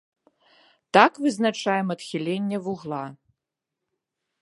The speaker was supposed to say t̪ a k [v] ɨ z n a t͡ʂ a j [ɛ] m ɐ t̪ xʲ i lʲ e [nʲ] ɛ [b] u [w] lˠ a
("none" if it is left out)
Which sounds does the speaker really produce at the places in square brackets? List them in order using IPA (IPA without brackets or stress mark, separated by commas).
v, ɛ, nʲː, v, ɣ